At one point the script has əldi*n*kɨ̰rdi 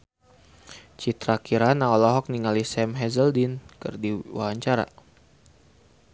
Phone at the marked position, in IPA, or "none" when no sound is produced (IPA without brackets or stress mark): n